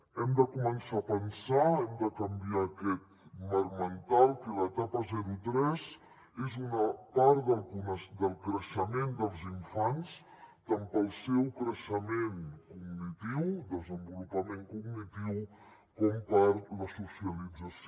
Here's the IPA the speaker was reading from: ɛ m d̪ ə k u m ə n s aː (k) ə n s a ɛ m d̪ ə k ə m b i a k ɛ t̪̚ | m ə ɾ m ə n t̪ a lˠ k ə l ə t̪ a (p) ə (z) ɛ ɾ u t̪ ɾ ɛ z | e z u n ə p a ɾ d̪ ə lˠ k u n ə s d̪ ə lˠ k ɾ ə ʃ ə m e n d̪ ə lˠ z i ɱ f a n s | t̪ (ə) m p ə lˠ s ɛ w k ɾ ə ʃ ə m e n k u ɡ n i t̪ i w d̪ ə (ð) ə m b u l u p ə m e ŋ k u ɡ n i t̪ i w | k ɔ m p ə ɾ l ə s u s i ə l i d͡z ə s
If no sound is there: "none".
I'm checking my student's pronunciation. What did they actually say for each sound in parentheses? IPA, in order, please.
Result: p, p, z, a, z

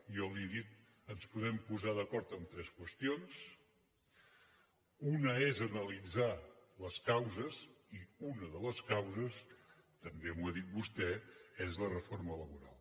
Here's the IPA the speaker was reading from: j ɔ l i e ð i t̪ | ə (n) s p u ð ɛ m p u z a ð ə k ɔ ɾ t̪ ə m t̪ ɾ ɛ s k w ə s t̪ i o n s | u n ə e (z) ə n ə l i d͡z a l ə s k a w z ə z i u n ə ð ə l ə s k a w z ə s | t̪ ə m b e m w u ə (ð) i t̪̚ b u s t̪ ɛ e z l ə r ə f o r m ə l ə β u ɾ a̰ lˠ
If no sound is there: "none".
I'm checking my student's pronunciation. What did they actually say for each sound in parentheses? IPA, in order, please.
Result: n, z, ð

